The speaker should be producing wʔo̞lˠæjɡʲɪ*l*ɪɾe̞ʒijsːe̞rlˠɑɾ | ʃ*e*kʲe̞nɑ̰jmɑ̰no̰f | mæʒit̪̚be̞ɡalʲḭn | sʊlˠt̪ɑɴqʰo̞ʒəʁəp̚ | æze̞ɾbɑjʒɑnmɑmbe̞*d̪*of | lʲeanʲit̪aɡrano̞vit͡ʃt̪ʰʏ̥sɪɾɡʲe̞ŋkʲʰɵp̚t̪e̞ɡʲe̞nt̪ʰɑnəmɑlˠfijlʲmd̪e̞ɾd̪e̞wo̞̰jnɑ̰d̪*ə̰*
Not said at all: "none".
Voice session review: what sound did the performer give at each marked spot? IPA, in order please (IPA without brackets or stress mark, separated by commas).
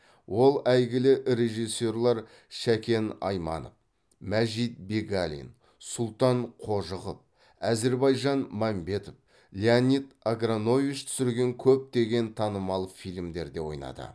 l, æ, t̪, ə̰